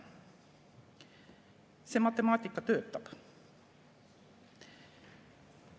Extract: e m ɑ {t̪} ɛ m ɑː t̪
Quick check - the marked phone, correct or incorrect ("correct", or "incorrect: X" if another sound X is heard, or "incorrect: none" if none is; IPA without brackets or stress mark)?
correct